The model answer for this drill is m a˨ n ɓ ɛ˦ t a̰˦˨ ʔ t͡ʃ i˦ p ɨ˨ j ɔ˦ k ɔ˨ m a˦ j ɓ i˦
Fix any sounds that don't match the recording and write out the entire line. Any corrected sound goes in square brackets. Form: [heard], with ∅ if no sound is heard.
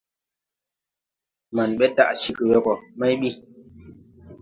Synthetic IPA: m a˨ n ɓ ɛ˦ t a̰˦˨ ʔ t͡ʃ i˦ [k] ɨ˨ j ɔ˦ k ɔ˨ m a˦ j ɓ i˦